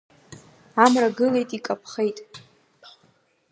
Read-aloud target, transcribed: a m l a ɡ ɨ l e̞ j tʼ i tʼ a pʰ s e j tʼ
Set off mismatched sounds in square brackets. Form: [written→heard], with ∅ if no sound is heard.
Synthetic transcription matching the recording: a m [l→r] a ɡ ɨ l e̞ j tʼ i [tʼ→kʼ] a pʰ [s→χ] e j tʼ